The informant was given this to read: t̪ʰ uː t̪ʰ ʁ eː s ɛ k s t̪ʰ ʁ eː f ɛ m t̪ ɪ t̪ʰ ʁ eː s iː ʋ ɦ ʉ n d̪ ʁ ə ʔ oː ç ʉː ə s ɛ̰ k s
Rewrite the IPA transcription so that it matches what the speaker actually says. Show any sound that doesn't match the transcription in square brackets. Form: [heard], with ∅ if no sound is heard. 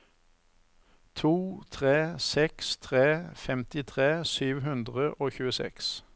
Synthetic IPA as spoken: t̪ʰ uː t̪ʰ ʁ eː s ɛ k s t̪ʰ ʁ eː f ɛ m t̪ ɪ t̪ʰ ʁ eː s [yː] ʋ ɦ ʉ n d̪ ʁ ə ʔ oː ç ʉː ə s ɛ̰ k s